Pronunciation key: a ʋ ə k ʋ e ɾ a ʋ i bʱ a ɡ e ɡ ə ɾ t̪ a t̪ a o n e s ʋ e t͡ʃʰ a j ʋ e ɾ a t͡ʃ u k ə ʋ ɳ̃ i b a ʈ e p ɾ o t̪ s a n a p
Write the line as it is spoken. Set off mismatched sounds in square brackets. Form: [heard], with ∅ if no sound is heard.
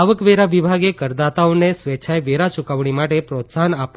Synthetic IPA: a ʋ ə k ʋ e ɾ a ʋ i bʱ a ɡ e [k] ə ɾ [d̪] a t̪ a o n e s ʋ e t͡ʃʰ a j ʋ e ɾ a t͡ʃ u k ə ʋ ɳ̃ i [m] a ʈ e p ɾ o t̪ s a n a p